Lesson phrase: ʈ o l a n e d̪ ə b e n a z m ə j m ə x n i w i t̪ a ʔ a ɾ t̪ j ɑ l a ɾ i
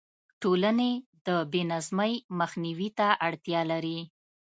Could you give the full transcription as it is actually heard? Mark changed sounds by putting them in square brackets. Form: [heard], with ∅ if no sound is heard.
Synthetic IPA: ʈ o l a n e d̪ ə b e n a z m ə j m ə x n i w i t̪ a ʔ a [ɽ] t̪ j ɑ l a ɾ i